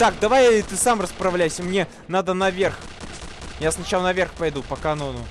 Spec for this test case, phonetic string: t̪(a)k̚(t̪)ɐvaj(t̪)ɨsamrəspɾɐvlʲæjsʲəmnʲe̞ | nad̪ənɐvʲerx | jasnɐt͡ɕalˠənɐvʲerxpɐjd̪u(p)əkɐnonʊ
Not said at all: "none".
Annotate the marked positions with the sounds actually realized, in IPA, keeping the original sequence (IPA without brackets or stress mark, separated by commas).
a, d̪, t̪, p